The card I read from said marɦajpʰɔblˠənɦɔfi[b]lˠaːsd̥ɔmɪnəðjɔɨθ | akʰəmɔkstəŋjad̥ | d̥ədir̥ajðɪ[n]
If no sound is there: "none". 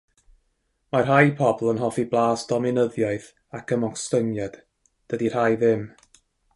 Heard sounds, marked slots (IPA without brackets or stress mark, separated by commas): b, m